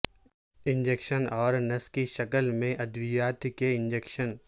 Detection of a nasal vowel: present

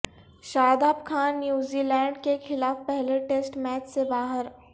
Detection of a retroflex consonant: present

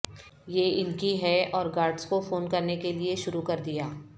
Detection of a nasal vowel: absent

